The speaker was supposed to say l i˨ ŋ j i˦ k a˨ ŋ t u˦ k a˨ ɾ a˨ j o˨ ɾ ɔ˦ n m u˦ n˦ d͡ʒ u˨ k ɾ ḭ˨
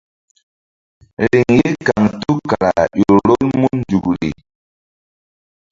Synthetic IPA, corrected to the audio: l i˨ ŋ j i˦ k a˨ ŋ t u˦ k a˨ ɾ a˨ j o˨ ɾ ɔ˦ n m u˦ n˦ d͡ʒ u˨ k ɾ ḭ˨